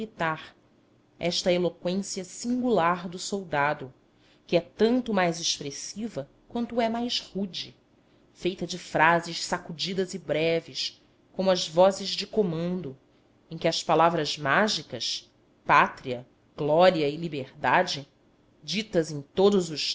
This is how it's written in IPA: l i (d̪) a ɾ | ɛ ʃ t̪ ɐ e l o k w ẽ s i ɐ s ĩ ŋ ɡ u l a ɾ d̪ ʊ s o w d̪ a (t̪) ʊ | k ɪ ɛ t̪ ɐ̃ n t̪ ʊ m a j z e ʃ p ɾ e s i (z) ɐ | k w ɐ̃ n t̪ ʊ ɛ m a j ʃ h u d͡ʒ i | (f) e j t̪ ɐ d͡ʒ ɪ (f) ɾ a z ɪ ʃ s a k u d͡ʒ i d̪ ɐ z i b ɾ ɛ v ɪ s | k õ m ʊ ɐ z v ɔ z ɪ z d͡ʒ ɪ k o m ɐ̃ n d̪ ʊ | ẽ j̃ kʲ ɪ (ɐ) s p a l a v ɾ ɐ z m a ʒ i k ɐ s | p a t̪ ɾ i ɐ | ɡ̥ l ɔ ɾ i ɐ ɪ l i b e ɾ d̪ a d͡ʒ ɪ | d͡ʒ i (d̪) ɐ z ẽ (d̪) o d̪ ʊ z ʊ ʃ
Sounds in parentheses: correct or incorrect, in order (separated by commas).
incorrect, incorrect, incorrect, correct, correct, correct, incorrect, incorrect